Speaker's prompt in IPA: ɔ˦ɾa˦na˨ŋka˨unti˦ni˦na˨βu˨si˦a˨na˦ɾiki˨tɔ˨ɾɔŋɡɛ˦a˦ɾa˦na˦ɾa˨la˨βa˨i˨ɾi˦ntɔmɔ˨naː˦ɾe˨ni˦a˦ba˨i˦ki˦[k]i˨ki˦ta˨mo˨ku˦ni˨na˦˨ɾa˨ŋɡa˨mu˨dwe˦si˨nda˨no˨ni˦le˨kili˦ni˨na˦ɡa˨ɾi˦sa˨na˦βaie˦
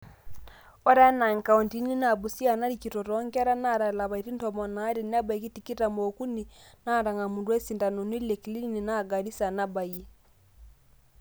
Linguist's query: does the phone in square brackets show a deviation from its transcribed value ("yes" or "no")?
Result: yes